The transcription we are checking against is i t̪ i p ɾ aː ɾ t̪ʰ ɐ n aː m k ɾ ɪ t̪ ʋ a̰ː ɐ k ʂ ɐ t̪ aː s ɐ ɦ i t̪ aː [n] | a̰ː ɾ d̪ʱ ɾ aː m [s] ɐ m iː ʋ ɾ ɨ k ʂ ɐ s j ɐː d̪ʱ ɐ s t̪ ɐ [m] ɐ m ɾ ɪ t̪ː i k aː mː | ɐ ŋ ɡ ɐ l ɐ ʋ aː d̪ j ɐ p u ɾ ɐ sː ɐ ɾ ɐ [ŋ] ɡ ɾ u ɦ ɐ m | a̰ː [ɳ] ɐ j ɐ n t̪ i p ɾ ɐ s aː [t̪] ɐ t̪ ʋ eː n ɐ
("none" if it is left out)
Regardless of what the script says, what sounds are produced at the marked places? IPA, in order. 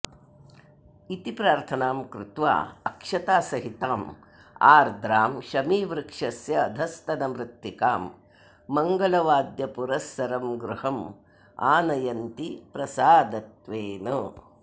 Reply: m, ʃ, n, m, n, d̪

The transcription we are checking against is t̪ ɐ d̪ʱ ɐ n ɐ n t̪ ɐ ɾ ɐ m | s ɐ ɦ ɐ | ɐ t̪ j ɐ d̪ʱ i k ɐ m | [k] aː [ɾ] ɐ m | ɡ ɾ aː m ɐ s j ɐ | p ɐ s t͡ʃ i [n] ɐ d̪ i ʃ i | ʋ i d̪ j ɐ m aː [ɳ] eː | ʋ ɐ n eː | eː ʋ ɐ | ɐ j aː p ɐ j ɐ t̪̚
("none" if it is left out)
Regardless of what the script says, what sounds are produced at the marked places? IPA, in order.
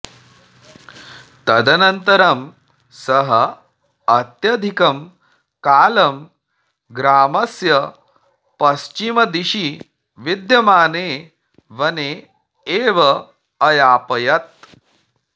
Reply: k, l, m, n

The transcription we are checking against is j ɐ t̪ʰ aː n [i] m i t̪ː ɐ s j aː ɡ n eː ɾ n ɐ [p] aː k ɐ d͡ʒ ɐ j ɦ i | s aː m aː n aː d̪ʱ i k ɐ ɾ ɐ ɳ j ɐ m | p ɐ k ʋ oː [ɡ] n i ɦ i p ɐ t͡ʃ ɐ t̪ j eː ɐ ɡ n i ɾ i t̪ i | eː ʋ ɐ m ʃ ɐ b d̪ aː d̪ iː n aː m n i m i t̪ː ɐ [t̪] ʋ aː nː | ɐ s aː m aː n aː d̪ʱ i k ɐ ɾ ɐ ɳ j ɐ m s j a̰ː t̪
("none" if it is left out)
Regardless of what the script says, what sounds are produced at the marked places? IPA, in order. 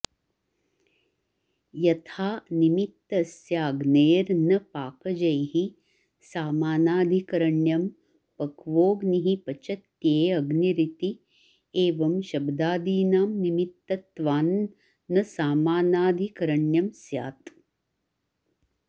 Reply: i, p, ɡ, t̪

